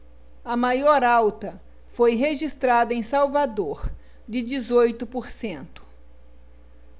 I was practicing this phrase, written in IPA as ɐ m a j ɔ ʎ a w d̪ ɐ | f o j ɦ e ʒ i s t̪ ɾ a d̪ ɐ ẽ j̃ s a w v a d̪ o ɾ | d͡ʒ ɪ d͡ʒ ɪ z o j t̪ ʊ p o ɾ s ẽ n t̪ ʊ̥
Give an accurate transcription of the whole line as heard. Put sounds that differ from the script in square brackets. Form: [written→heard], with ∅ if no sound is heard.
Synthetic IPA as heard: ɐ m a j ɔ [ʎ→ɾ] a w [d̪→t̪] ɐ | f o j ɦ e ʒ i s t̪ ɾ a d̪ ɐ ẽ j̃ s a w v a d̪ o ɾ | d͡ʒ ɪ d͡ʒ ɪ z o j t̪ ʊ p o ɾ s ẽ n t̪ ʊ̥